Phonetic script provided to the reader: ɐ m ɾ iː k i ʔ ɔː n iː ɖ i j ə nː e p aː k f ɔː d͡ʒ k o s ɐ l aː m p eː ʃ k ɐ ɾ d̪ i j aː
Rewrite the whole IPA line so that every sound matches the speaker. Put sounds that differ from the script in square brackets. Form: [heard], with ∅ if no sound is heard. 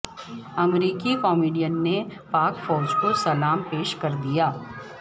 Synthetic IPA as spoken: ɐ m ɾ iː k i [k] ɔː [m] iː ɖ i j ə nː e p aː k f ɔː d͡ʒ k o s ɐ l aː m p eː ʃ k ɐ ɾ d̪ i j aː